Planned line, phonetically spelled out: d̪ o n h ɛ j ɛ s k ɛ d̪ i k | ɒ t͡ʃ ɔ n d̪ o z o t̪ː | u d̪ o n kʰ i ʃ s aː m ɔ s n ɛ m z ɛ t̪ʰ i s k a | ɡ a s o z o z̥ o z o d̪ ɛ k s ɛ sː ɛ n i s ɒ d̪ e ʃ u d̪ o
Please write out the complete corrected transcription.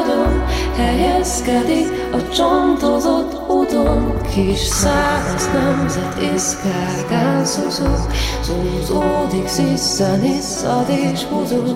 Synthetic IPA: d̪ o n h ɛ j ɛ s k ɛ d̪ i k | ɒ t͡ʃ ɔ n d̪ o z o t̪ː | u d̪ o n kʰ i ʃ s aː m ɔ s n ɛ m z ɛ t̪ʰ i s k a | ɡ a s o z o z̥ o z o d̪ i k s i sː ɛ n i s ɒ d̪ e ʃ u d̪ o